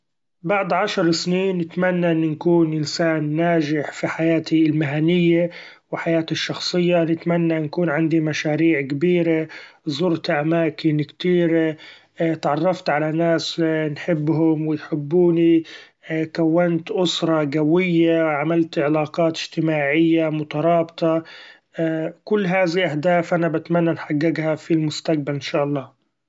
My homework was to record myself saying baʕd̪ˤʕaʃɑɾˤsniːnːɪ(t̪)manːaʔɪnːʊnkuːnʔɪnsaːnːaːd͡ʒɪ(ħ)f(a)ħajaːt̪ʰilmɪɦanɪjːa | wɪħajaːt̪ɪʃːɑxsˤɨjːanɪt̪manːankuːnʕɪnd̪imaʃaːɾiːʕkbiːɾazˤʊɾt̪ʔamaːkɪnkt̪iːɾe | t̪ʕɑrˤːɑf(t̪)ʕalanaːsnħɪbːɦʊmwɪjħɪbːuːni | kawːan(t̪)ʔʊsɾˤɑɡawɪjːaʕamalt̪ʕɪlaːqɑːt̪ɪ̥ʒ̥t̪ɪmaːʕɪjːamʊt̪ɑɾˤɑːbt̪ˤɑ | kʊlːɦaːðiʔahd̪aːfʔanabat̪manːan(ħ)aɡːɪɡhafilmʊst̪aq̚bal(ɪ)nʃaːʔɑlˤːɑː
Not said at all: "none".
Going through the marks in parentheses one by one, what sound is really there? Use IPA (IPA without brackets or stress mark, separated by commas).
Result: t̪, ħ, i, t̪, t̪, ħ, ɪ